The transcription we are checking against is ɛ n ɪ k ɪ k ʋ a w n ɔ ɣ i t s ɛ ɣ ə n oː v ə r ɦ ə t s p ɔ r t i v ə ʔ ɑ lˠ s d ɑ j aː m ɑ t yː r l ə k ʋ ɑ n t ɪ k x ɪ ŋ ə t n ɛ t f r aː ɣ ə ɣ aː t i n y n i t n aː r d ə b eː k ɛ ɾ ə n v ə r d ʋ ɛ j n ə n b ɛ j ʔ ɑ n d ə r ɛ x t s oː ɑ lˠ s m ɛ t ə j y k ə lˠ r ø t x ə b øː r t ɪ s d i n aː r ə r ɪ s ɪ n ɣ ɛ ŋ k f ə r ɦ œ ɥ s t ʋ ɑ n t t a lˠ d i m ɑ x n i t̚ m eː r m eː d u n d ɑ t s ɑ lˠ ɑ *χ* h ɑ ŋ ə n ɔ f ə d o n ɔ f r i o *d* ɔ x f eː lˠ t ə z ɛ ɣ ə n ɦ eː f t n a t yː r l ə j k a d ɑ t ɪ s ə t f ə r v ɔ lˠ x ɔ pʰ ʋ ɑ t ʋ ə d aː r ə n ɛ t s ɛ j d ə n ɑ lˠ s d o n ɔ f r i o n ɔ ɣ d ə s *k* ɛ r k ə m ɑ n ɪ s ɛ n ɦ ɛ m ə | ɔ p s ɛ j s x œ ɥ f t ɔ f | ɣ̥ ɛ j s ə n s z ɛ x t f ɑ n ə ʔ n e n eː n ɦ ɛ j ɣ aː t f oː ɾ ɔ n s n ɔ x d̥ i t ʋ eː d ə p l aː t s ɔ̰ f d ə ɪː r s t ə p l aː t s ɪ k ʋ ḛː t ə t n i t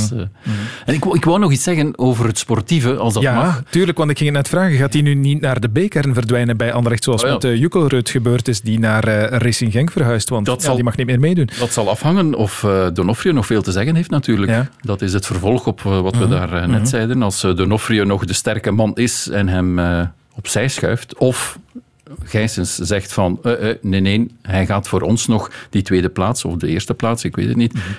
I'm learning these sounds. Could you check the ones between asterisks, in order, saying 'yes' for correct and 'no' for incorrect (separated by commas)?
no, no, no